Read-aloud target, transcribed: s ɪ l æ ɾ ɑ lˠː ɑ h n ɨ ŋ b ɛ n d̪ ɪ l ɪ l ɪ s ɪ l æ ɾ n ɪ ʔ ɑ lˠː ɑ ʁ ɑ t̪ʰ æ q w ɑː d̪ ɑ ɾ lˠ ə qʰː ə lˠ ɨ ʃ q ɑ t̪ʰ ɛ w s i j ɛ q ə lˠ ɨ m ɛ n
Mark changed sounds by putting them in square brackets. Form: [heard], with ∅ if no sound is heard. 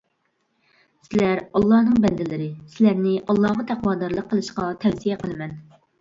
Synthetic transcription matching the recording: s ɪ l æ ɾ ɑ lˠː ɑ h n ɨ ŋ b ɛ n d̪ ɪ l ɪ [ɾ] ɪ s ɪ l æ ɾ n ɪ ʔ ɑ lˠː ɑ ʁ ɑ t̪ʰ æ q w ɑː d̪ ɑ ɾ lˠ ə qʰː ə lˠ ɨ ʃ q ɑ t̪ʰ ɛ w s i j ɛ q ə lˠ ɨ m ɛ n